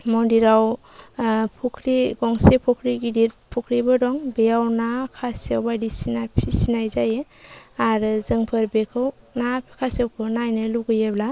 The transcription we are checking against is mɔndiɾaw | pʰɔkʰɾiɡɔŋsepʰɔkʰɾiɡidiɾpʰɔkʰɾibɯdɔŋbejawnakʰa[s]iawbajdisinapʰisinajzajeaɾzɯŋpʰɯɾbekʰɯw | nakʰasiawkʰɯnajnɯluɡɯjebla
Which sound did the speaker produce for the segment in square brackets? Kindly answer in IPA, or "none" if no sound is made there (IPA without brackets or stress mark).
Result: s